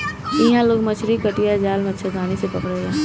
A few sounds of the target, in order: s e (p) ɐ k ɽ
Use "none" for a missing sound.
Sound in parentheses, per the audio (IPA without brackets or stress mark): p